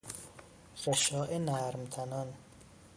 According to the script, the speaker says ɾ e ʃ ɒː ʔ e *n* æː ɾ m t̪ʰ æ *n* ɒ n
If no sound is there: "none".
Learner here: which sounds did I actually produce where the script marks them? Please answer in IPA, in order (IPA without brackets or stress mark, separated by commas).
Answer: n, n